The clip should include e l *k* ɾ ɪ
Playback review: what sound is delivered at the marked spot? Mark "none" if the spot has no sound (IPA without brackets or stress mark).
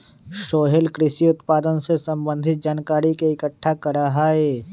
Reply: k